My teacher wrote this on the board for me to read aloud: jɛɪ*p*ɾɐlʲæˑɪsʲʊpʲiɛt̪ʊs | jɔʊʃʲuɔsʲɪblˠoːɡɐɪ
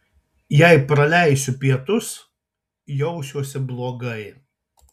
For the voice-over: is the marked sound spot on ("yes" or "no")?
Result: yes